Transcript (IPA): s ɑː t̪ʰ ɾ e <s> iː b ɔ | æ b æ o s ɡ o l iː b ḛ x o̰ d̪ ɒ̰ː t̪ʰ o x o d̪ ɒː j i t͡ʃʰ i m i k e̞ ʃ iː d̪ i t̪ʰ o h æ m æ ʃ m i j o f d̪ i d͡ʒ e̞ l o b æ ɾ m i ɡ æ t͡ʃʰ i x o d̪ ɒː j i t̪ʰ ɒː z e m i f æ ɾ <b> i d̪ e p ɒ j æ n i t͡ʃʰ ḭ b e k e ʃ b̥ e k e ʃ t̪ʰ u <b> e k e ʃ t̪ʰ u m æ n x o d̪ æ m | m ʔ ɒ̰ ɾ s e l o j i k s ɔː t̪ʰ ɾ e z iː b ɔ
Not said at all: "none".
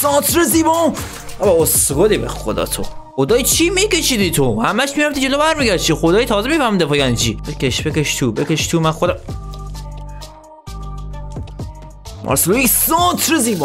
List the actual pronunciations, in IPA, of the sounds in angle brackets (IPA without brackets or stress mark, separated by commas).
z, m, b